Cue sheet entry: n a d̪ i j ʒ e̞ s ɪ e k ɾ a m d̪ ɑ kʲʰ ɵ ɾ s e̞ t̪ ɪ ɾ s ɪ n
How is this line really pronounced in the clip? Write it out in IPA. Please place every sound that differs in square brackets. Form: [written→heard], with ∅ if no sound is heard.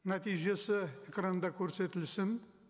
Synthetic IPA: n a [d̪→t̪] i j ʒ e̞ s ɪ e k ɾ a [m→n] d̪ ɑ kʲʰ ɵ ɾ s e̞ t̪ ɪ [ɾ→l] s ɪ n